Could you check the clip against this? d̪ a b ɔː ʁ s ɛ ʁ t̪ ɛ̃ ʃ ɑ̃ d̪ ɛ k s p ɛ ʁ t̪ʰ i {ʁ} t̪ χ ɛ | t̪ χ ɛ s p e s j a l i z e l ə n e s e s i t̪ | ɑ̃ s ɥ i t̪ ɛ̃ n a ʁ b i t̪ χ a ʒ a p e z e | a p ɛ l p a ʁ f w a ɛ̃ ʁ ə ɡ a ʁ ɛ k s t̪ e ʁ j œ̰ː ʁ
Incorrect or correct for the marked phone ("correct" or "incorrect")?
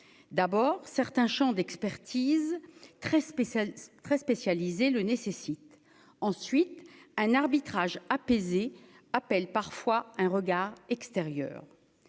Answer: incorrect